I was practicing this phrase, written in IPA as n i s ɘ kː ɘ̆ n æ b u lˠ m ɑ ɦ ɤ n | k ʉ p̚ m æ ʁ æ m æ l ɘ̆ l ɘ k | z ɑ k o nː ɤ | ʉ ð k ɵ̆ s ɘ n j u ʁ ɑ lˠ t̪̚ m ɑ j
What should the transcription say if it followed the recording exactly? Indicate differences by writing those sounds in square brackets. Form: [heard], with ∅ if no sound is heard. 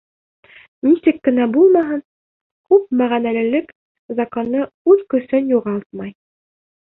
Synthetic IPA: n i s ɘ kː ɘ̆ n æ b u lˠ m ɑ ɦ ɤ n | k ʉ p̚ m æ ʁ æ [n] æ l ɘ̆ l ɘ k | z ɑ k o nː ɤ | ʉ ð k ɵ̆ s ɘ n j u ʁ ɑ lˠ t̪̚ m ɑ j